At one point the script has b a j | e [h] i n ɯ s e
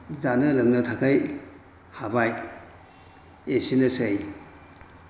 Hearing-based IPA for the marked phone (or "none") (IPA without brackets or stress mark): s